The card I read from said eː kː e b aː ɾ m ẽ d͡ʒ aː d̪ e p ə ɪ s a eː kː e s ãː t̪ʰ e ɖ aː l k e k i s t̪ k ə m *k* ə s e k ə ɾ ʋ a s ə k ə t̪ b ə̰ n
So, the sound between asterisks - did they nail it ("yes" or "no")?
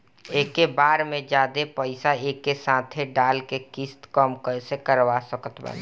yes